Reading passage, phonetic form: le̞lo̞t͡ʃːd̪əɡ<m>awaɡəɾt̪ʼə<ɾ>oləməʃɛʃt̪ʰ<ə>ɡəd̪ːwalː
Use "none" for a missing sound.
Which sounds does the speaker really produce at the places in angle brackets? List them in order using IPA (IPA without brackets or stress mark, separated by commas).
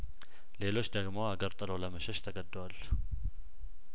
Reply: m, l, ə